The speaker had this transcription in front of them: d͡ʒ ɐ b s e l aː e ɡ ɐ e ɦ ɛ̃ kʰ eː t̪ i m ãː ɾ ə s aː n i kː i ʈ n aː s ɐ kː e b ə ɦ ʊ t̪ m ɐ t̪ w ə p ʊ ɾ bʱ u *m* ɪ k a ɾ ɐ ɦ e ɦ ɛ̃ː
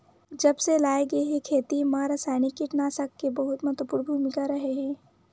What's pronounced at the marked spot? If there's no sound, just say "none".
m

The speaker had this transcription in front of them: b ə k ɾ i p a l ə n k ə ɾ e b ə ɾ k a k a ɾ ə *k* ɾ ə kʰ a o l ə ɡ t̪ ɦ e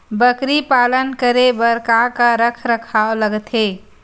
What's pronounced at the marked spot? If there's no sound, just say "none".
kʰ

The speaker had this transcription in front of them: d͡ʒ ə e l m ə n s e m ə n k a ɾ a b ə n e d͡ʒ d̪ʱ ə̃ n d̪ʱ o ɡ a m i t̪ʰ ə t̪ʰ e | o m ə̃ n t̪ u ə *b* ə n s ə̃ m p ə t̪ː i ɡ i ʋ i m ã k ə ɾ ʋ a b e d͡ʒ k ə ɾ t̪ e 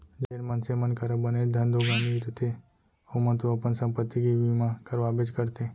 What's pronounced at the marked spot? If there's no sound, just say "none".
p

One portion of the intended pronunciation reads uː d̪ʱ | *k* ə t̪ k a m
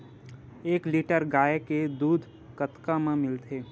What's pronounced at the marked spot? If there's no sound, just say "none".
k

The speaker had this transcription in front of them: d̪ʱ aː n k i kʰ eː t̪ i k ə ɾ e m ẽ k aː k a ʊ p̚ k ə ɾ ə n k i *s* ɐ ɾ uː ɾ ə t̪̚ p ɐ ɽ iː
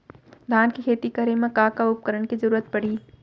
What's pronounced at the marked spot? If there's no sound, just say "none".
z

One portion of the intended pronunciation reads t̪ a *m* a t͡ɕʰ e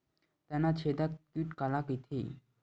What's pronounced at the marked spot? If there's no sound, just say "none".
n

